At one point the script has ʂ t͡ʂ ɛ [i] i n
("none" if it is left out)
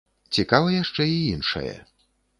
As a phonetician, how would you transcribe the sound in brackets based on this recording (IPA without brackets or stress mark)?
i